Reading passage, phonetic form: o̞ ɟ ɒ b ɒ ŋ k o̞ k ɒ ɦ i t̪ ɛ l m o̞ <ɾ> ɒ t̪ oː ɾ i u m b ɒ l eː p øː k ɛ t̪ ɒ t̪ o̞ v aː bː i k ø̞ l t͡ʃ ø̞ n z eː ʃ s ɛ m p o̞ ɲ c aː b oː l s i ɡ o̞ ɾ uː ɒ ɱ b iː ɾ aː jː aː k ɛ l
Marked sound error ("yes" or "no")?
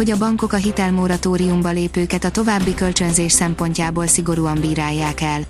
no